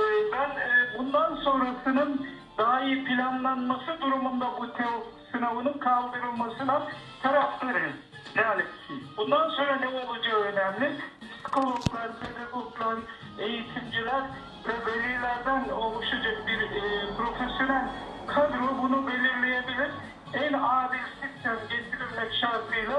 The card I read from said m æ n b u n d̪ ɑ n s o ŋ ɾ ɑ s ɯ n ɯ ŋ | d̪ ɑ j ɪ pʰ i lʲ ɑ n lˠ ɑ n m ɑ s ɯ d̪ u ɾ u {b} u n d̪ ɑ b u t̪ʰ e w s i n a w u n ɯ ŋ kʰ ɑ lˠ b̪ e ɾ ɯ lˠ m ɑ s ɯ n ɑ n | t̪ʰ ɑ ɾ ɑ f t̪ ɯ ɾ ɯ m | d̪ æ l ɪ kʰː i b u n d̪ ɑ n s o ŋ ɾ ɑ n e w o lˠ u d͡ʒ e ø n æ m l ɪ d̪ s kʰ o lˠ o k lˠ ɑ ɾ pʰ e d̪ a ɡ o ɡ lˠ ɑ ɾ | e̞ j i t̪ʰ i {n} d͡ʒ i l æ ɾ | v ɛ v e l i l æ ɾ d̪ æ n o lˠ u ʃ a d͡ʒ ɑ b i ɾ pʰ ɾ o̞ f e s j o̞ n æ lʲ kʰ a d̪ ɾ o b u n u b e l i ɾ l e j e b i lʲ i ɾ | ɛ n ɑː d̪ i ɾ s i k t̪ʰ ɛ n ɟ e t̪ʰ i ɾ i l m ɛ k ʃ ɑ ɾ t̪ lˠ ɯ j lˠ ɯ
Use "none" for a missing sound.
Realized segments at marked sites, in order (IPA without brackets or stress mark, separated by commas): m, m